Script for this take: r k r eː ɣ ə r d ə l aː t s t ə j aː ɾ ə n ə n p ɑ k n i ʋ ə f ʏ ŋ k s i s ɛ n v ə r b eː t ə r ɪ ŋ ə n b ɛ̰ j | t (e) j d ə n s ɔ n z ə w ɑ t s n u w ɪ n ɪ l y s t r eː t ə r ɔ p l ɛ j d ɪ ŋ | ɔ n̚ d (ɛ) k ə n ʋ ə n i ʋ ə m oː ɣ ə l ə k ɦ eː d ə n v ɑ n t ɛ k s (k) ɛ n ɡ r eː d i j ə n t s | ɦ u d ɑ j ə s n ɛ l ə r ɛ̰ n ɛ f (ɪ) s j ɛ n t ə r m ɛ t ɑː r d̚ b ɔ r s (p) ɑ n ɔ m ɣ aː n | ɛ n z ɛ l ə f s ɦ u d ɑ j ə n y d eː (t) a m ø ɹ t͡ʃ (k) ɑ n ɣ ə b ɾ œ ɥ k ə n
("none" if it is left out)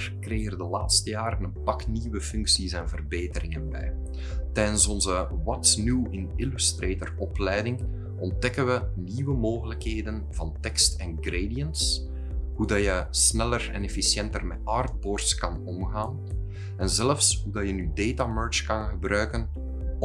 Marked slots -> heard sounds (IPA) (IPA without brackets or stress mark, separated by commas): ɛ, ɛ, t, i, k, t, k